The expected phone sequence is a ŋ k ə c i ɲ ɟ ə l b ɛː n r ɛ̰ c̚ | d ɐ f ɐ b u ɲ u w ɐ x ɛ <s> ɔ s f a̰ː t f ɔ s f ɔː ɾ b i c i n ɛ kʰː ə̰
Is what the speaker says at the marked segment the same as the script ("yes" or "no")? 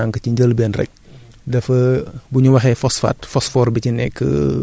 no